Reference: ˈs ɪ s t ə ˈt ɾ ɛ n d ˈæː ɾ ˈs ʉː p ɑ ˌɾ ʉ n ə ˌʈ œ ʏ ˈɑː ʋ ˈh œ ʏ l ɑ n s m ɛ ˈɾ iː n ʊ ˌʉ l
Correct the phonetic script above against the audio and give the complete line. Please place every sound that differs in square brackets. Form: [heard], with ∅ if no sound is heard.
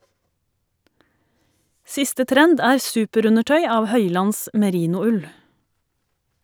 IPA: ˈs ɪ s t ə ˈt ɾ ɛ n d ˈæː ɾ ˈs ʉː p [ə] ˌɾ ʉ n ə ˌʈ œ ʏ ˈɑː ʋ ˈh œ ʏ l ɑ n s m ɛ ˈɾ iː n ʊ ˌʉ l

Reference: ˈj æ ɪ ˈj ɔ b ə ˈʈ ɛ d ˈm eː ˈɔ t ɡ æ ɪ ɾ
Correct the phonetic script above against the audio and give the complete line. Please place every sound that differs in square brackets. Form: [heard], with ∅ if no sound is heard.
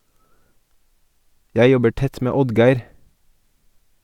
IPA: ˈj æ ɪ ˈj ɔ b ə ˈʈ ɛ [t] ˈm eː ˈɔ [d] ɡ æ ɪ ɾ

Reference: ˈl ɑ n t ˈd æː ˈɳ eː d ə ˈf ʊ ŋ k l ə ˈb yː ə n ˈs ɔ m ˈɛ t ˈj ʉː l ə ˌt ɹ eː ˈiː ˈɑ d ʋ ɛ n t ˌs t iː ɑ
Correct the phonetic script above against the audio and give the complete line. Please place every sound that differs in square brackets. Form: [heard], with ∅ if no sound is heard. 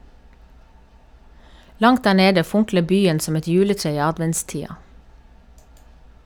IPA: ˈl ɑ [ŋ] t ˈd æː ˈɳ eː d ə ˈf ʊ ŋ k l ə ˈb yː ə n ˈs ɔ m ˈɛ t ˈj ʉː l ə ˌt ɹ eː ˈiː ˈɑ d ʋ ɛ n t ˌs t iː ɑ

